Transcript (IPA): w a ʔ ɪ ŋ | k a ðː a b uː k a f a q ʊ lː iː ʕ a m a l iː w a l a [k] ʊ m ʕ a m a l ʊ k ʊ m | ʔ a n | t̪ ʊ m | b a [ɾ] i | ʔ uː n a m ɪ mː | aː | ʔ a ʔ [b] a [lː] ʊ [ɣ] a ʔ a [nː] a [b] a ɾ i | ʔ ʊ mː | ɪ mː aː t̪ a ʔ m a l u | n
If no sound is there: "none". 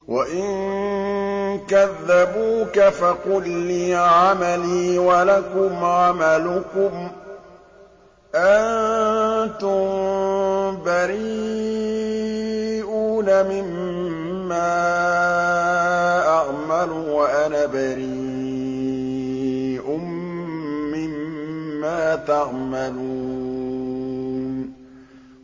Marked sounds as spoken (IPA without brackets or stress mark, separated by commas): k, ɾ, m, l, w, n, b